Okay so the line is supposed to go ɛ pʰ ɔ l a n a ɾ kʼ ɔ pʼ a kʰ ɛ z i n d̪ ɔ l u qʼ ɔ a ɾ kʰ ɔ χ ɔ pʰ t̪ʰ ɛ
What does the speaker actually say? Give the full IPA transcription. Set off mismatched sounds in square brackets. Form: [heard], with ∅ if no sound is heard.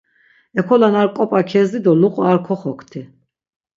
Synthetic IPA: ɛ [kʰ] ɔ l a n a ɾ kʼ ɔ pʼ a kʰ ɛ z i [∅] d̪ ɔ l u qʼ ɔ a ɾ kʰ ɔ χ ɔ [kʰ] t̪ʰ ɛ

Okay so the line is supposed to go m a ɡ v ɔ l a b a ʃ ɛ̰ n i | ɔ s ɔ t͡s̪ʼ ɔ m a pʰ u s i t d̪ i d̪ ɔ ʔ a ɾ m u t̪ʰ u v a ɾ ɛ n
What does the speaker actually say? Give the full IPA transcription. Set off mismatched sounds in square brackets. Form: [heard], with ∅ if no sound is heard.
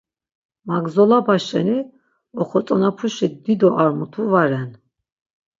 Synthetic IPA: m a ɡ [z] ɔ l a b a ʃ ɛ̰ n i | ɔ [χ] ɔ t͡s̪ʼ ɔ [n] a pʰ u [ʃ] i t d̪ i d̪ ɔ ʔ a ɾ m u t̪ʰ u v a ɾ ɛ n

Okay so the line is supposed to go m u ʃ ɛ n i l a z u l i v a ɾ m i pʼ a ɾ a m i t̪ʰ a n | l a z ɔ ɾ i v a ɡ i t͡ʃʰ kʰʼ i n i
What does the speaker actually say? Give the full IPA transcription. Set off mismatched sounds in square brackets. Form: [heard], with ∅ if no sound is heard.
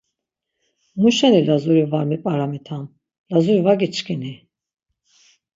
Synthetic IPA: m u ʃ ɛ n i l a z u [ɾ] i v a ɾ m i pʼ a ɾ a m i t̪ʰ a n | l a z [u] ɾ i v a ɡ i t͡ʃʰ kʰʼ i n i

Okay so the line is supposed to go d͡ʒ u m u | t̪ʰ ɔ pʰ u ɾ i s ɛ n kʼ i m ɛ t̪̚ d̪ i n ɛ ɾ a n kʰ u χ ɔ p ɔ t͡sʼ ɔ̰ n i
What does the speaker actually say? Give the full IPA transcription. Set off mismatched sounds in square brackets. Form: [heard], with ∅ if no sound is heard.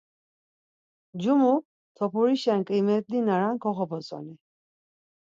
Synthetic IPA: d͡ʒ u m u | t̪ʰ ɔ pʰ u ɾ i [ʃ] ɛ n kʼ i m ɛ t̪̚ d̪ i n [a] ɾ a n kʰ [ɔ] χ ɔ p ɔ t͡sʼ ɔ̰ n i

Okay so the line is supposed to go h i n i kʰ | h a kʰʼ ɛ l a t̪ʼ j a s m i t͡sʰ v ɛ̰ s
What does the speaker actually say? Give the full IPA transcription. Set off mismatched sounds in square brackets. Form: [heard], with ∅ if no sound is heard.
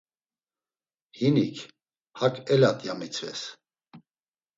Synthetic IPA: h i n i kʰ | h a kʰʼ ɛ l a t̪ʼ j a [∅] m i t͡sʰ v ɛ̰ s

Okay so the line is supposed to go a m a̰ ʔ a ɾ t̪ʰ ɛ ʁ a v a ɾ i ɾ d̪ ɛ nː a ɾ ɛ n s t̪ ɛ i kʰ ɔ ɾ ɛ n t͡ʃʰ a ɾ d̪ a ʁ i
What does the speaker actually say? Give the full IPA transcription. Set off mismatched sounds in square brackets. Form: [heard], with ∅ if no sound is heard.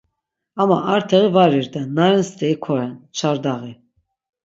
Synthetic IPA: a m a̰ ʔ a ɾ t̪ʰ ɛ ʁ [i] v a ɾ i ɾ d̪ ɛ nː a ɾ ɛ n s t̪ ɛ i kʰ ɔ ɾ ɛ n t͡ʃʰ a ɾ d̪ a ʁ i

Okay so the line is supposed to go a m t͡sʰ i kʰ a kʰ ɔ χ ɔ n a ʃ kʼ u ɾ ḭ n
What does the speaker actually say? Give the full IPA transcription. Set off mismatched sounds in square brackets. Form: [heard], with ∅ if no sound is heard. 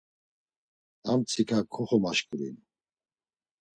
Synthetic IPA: a m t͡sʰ i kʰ a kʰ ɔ χ ɔ [m] a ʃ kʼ u ɾ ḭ n

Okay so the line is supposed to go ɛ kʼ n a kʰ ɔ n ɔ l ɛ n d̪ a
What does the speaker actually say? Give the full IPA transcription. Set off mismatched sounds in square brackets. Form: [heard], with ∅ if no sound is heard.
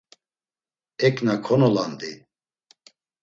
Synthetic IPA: ɛ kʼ n a kʰ ɔ n ɔ l [a] n d̪ [i]

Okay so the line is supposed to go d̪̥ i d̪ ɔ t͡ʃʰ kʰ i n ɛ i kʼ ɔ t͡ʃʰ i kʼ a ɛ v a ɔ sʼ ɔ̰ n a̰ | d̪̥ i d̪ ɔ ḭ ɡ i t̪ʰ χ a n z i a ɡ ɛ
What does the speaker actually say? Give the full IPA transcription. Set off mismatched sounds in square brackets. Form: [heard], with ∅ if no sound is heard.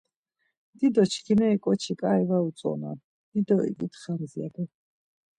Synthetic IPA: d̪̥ i d̪ ɔ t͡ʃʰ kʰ i n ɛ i kʼ ɔ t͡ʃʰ i kʼ a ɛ v a [u] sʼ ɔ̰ n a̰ | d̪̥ i d̪ ɔ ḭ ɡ i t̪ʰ χ a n z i a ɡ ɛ

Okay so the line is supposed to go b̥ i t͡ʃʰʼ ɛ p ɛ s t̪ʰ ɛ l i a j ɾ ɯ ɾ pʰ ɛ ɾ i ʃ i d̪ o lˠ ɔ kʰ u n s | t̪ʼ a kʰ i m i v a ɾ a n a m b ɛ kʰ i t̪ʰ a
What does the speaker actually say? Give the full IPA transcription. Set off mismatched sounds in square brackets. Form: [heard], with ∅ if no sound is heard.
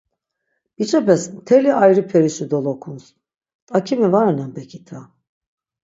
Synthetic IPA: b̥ i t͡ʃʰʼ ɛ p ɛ s t̪ʰ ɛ l i a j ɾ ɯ [∅] pʰ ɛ ɾ i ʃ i d̪ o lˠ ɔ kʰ u n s | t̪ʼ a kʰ i m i v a ɾ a n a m b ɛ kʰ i t̪ʰ a

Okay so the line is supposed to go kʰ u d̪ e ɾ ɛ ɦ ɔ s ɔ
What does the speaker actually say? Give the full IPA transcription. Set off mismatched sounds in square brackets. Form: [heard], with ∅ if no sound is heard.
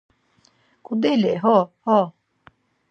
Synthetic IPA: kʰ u d̪ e [l] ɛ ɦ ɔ [h] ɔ

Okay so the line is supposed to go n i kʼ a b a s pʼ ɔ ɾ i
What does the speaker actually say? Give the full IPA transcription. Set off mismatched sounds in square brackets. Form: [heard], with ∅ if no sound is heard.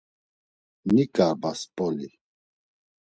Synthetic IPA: n i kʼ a b a s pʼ ɔ [l] i

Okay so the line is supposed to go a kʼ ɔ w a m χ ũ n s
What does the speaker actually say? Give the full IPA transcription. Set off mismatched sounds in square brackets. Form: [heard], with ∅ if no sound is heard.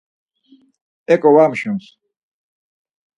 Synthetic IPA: [ɛ] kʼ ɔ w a m [ʃ] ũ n s

